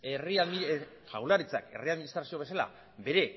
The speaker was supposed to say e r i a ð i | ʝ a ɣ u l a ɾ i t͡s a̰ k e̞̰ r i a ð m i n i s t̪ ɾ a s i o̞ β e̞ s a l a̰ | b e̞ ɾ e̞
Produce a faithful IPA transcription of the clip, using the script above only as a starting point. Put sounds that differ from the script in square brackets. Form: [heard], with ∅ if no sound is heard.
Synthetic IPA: e r i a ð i | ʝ a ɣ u l a ɾ i t͡s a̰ k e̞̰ r i a ð m i n i s t̪ ɾ a s i o̞ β e̞ s a l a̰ | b e̞ ɾ e̞